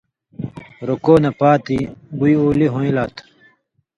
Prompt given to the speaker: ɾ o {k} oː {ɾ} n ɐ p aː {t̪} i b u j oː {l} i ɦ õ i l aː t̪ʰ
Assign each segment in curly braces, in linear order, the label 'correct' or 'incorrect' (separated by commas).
correct, incorrect, correct, correct